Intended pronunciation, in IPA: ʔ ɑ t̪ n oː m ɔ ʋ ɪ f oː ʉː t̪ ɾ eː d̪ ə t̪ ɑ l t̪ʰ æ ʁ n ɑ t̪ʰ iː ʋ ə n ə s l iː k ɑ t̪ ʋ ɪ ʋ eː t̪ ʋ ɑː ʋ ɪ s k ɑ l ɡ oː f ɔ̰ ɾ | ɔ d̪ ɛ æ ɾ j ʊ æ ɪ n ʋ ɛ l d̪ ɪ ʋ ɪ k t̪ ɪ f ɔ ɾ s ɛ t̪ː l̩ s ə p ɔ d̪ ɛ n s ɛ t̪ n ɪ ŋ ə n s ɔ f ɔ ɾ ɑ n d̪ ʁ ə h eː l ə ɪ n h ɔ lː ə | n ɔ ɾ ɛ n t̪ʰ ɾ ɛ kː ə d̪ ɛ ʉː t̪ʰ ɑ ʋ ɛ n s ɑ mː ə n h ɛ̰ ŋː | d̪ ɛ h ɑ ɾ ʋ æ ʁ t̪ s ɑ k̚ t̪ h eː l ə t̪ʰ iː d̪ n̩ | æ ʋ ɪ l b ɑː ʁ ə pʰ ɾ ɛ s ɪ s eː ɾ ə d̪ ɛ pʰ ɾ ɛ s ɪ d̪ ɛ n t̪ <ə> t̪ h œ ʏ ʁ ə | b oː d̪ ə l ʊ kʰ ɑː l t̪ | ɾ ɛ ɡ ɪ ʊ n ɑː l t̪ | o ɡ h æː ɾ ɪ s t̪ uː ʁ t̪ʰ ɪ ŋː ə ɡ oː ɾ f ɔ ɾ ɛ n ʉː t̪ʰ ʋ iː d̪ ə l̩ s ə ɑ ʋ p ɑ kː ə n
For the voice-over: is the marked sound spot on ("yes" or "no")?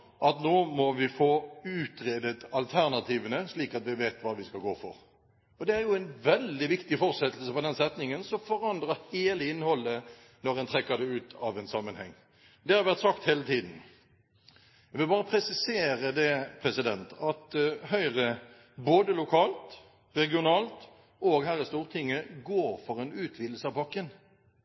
no